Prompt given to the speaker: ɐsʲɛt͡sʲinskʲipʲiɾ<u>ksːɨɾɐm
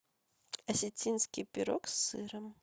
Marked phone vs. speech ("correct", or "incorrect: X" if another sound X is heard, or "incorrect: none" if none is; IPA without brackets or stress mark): incorrect: ɔ